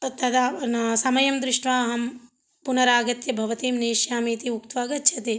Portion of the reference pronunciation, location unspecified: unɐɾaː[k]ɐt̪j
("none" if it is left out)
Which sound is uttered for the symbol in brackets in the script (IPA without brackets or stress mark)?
ɡ